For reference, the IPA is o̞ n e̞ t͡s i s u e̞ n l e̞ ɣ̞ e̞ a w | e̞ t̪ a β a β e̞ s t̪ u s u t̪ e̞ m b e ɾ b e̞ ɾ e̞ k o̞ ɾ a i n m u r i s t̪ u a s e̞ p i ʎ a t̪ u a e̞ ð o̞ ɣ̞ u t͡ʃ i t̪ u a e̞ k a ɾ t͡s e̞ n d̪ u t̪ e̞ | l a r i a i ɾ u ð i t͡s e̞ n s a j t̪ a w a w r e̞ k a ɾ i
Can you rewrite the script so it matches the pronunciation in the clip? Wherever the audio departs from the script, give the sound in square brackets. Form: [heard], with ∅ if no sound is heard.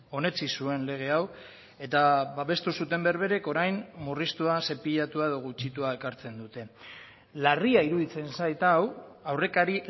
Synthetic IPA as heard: o̞ n e̞ t͡s i s u e̞ n l e̞ ɣ̞ e̞ a w | e̞ t̪ a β a β e̞ s t̪ u s u t̪ e̞ m b e ɾ [β] e̞ ɾ e̞ k o̞ ɾ a [j] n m u r i s t̪ u a s e̞ p i ʎ a t̪ u a e̞ ð o̞ ɣ̞ u t͡ʃ i t̪ u a e̞ k a ɾ t͡s e̞ n d̪ u t̪ e̞ | l a r i a i ɾ u ð i t͡s e̞ n s a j t̪ a w a w r e̞ k a ɾ i